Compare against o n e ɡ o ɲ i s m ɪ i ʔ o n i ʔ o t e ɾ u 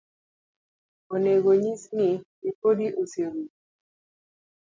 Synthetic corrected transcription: o n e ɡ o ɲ i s n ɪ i p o d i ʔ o s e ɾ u